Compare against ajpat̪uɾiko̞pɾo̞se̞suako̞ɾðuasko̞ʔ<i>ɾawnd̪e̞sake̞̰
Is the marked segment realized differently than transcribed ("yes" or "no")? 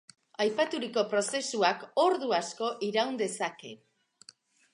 no